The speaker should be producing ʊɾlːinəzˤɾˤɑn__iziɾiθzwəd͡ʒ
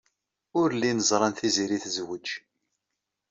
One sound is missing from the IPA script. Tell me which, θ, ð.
θ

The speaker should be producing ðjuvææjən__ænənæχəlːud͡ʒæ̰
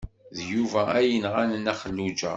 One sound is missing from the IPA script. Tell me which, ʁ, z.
ʁ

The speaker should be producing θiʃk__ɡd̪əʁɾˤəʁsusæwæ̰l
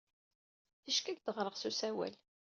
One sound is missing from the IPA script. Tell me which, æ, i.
æ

